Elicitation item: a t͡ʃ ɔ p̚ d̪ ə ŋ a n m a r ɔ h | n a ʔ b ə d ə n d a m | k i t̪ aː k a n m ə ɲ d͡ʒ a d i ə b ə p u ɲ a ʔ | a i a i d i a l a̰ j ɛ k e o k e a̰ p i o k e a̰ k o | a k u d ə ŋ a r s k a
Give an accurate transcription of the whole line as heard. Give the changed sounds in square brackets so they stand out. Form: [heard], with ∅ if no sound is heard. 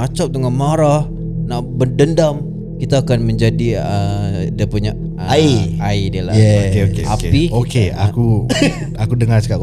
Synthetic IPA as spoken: a t͡ʃ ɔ p̚ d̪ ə ŋ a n m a [ɾ] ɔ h | n a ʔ b ə d ə n d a m | k i t̪ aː k a n m ə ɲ d͡ʒ a d i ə [d] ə p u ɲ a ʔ | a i a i d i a l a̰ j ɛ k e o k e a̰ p i o k e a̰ k [u] | a k u d ə ŋ a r s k a